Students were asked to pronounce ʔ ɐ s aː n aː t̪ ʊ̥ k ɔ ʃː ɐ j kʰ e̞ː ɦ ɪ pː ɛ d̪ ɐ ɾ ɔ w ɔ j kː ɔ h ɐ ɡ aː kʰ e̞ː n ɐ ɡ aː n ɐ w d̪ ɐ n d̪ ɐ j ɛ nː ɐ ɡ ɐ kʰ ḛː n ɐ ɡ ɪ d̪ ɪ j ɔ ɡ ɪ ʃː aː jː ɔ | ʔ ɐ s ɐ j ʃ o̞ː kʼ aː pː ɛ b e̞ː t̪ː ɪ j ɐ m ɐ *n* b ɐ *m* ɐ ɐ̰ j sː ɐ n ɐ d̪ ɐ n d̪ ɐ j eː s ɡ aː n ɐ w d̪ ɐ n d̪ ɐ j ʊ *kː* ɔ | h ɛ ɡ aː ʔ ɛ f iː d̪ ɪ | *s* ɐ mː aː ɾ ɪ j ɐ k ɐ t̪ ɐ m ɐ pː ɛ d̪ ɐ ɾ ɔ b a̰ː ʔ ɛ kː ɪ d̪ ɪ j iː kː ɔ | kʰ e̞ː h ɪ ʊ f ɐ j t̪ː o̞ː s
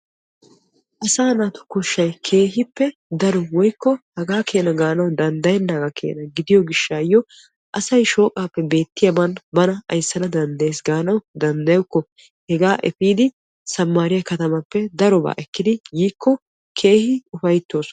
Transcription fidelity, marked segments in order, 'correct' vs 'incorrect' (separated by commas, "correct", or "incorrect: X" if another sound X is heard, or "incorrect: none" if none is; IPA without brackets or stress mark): correct, incorrect: n, correct, correct